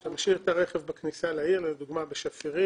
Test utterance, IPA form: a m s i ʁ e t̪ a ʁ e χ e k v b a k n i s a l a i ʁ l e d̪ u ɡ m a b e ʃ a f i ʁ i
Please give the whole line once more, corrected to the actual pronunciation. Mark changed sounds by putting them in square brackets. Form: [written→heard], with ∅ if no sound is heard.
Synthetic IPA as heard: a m [s→ʃ] i ʁ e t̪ a ʁ e χ e [k→∅] v b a k n i s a l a i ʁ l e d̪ u ɡ m a b e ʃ a f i ʁ i